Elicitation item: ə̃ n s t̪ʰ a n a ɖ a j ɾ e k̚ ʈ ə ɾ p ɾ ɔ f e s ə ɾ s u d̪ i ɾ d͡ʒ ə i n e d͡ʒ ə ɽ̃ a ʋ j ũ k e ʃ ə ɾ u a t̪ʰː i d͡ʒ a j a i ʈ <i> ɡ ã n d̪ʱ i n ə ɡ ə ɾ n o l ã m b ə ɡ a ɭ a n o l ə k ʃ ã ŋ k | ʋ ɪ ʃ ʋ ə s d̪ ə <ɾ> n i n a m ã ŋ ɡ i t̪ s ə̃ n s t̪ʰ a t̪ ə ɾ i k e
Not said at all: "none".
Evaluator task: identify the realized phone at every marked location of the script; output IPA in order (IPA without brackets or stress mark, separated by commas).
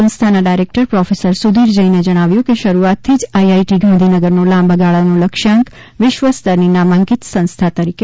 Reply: i, ɾ